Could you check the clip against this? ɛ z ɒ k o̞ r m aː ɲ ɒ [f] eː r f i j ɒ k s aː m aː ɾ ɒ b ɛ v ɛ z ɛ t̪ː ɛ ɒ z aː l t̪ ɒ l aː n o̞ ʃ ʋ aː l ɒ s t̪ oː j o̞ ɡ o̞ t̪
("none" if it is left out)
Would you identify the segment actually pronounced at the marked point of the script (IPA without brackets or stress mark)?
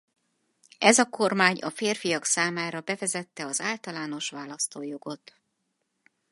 f